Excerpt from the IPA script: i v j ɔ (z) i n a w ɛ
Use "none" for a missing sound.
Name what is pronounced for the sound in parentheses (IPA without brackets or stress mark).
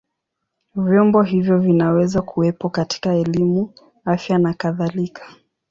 v